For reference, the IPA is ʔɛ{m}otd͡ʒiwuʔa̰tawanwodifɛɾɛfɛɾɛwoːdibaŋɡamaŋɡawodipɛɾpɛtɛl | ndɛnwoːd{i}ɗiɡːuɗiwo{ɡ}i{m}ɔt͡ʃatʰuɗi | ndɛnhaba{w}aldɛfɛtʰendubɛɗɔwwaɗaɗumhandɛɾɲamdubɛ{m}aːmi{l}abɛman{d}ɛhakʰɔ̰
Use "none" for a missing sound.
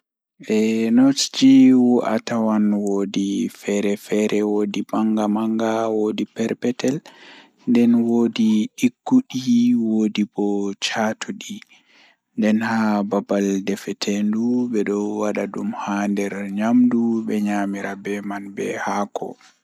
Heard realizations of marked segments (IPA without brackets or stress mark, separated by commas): n, i, d, b, b, ɲ, ɾ, b